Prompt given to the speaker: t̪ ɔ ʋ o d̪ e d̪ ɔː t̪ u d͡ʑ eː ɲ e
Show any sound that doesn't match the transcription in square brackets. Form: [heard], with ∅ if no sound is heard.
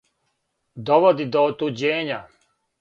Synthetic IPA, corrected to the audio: [d̪] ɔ ʋ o d̪ [i] d̪ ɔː t̪ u d͡ʑ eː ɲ [a]